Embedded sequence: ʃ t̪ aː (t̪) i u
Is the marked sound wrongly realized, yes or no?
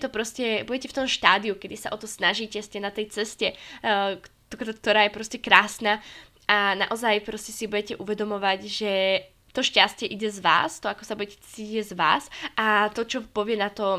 yes